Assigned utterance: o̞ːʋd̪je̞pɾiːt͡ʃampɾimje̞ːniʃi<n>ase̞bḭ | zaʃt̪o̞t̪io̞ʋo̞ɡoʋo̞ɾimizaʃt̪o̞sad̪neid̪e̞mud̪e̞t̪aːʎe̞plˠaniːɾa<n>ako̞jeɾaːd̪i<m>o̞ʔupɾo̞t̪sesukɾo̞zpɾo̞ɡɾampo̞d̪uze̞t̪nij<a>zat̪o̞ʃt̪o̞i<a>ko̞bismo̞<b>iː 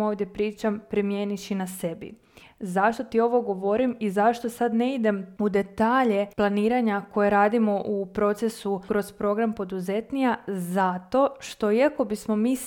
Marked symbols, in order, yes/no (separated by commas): yes, no, yes, yes, yes, no